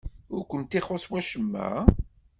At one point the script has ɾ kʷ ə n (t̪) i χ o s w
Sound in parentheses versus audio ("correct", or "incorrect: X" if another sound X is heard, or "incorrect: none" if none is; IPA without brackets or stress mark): correct